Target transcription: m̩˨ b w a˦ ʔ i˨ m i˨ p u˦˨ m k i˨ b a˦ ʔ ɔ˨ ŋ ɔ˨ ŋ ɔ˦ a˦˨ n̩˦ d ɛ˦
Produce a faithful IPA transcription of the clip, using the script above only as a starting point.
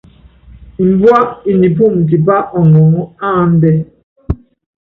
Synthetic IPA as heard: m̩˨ b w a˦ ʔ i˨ n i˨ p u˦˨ m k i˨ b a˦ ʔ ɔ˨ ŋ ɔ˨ ŋ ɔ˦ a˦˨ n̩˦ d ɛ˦